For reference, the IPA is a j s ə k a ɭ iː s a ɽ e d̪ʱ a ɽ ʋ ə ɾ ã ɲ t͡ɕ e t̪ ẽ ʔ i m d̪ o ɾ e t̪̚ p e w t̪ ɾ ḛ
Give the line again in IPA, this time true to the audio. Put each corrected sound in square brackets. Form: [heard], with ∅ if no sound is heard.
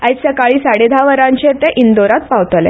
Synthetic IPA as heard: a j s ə k a ɭ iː s a ɽ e d̪ʱ a [∅] ʋ ə ɾ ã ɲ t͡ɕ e t̪ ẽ ʔ i [n] d̪ o ɾ [a] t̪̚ p [a] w t̪ [l] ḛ